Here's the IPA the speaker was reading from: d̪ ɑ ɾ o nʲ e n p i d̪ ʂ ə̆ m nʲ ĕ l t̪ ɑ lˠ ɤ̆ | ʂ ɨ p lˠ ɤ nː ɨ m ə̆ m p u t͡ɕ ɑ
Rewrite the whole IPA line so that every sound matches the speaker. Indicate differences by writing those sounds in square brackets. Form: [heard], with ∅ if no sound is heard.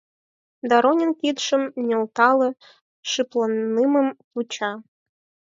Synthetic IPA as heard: d̪ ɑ ɾ o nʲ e n [k] i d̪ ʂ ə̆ m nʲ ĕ l t̪ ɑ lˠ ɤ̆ | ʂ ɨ p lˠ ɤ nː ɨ m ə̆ m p u t͡ɕ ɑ